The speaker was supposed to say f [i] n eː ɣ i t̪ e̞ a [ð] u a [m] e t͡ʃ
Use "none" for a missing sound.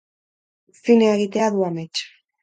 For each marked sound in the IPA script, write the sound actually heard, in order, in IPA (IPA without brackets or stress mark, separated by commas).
i, ð, m